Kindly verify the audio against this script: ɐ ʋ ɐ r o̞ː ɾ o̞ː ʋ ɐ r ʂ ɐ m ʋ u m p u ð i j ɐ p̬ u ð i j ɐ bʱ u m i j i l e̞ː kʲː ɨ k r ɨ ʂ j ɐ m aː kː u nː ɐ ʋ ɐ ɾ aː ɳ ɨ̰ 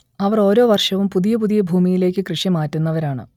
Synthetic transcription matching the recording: ɐ ʋ ɐ r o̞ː ɾ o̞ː ʋ ɐ r ʂ ɐ ʋ u m p u ð i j ɐ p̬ u ð i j ɐ bʱ uː m i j i l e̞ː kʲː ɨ k r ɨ ʂ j ɐ m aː tː u nː ɐ ʋ ɐ ɾ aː ɳ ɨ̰